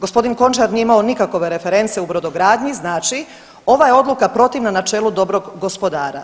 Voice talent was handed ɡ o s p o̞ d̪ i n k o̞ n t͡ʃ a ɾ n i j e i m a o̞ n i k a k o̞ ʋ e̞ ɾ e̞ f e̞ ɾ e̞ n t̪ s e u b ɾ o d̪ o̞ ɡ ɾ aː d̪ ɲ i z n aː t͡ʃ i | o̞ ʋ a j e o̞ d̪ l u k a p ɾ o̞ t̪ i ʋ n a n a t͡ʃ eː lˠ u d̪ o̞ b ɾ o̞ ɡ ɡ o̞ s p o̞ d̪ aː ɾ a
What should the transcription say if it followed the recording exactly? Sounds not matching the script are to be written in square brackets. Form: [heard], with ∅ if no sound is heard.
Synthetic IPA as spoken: ɡ o s p o̞ d̪ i n k o̞ n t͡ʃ a ɾ n i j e i m a o̞ n i k a k o̞ ʋ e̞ ɾ e̞ f e̞ ɾ e̞ n t̪ s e u b ɾ o d̪ o̞ ɡ ɾ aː d̪ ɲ i z n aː t͡ʃ i | o̞ ʋ a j e o̞ d̪ l u k a p ɾ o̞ t̪ i ʋ n a n a t͡ʃ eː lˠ u d̪ o̞ b ɾ o̞ ɡ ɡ o̞ s p o̞ d̪ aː ɾ a